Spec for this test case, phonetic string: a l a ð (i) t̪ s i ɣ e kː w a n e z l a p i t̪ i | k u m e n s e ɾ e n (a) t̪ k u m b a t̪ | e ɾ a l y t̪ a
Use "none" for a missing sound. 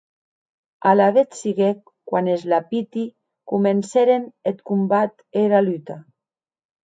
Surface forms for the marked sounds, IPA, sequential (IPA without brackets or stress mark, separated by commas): e, e